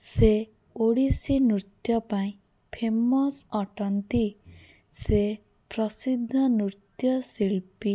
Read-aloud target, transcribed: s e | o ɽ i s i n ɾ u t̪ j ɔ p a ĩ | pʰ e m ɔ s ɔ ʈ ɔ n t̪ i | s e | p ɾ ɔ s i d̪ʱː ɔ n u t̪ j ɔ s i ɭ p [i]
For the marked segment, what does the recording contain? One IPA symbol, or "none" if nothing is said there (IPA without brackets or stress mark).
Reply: i